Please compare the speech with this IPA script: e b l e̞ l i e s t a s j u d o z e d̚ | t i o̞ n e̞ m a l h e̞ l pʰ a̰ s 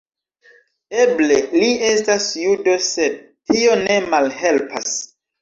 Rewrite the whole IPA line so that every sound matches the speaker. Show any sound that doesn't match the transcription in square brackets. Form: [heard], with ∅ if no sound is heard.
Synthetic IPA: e b l e̞ l i e s t a s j u d o [s] e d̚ | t i o̞ n e̞ m a l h e̞ l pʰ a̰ s